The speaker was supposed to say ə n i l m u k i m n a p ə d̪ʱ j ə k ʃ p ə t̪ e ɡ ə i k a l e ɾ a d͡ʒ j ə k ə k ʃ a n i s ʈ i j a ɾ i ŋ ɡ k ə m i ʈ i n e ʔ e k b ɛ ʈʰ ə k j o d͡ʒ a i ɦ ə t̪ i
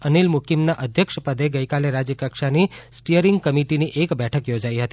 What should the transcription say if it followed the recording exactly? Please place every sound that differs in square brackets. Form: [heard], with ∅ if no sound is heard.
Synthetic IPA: ə n i l m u k i m n a [ʔ] ə d̪ʱ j ə k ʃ p ə [d̪] e ɡ ə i k a l e ɾ a d͡ʒ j ə k ə k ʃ a n i s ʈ i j [ə] ɾ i ŋ ɡ k ə m i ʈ i n [i] ʔ e k b ɛ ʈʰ ə k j o d͡ʒ a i ɦ ə t̪ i